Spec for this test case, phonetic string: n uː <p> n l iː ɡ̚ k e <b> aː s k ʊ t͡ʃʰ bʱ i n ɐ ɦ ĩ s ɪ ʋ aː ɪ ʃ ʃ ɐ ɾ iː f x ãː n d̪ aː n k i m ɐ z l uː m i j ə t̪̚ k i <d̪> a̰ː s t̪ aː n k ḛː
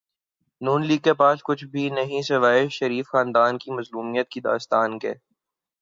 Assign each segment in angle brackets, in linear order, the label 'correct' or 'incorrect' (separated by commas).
incorrect, incorrect, correct